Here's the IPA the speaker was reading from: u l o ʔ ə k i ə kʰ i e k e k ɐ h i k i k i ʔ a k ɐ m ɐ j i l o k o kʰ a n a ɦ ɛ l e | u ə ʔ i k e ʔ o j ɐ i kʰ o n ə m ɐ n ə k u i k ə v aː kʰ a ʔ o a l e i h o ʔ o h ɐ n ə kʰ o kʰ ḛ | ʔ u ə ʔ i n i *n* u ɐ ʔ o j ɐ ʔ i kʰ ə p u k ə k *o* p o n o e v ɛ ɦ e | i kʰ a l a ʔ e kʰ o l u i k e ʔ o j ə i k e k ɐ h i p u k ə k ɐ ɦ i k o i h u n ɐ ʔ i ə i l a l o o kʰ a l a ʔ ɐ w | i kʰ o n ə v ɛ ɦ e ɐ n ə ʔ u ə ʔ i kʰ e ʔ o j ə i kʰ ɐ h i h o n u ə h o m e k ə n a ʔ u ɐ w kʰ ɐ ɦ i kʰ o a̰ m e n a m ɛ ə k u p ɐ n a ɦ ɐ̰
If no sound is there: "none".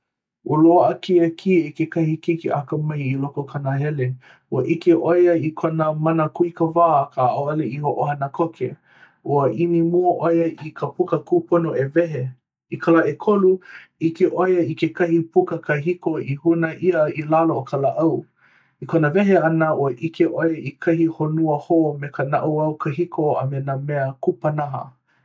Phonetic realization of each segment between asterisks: m, u

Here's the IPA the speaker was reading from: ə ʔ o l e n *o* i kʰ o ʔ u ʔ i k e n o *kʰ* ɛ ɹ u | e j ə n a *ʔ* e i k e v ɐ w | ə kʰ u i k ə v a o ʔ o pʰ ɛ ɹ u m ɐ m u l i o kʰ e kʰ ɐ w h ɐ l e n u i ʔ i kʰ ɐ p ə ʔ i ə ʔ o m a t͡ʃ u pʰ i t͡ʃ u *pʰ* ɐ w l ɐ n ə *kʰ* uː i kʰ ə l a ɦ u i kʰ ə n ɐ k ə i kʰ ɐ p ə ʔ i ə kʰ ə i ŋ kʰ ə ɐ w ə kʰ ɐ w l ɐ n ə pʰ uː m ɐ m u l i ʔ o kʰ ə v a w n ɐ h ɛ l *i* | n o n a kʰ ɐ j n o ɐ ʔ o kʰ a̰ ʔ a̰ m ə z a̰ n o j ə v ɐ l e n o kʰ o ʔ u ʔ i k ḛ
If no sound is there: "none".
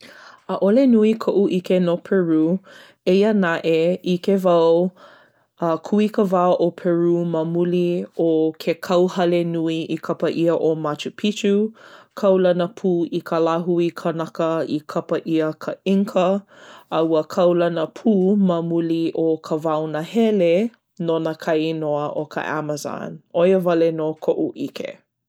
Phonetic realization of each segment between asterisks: u, pʰ, ʔ, kʰ, pʰ, e

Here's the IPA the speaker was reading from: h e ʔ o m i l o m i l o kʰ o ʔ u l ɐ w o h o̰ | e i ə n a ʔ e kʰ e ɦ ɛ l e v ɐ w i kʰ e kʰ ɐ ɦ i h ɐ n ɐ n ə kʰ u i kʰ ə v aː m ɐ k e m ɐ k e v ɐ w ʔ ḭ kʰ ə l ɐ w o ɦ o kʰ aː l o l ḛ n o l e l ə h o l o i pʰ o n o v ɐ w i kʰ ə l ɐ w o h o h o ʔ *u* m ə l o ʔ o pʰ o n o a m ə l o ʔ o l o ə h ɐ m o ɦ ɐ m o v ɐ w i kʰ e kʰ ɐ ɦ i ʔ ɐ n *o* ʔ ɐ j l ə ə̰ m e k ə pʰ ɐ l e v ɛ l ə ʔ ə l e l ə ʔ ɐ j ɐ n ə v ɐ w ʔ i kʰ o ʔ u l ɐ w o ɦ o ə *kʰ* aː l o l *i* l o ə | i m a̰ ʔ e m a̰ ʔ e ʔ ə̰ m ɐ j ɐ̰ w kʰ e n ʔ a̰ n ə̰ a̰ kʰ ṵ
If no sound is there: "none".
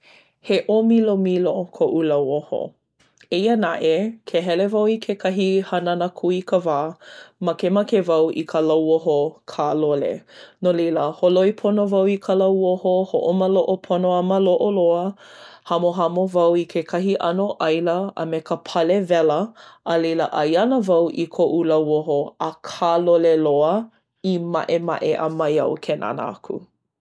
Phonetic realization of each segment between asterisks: o, o, kʰ, e

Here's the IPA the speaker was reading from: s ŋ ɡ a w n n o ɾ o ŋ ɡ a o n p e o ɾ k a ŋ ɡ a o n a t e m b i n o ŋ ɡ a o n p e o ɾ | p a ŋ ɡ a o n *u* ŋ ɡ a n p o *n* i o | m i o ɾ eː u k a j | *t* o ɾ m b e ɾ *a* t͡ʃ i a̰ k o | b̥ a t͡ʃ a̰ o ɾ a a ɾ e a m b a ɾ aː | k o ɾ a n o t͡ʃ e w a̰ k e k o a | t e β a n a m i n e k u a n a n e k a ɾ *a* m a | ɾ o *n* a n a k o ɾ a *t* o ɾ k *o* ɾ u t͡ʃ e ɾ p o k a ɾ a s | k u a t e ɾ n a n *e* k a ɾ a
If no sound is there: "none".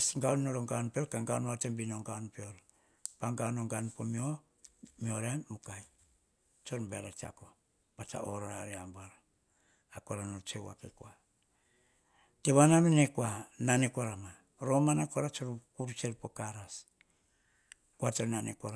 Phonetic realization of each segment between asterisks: o, m, t͡ʃ, a, a, m, t͡ʃ, u, e

